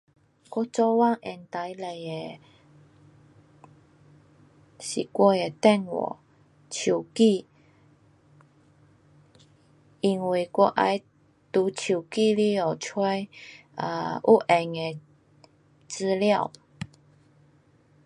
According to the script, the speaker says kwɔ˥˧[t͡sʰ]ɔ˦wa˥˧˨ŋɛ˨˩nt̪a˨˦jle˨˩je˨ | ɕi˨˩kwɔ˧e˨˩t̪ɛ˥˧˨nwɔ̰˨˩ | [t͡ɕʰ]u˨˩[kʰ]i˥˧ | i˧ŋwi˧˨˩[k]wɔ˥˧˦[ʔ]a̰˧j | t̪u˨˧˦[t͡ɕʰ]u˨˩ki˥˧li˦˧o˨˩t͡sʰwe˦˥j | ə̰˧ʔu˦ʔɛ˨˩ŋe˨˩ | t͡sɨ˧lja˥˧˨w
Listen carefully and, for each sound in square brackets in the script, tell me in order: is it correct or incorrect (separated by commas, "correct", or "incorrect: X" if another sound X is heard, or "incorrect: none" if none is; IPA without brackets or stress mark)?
incorrect: t͡s, correct, incorrect: k, correct, correct, correct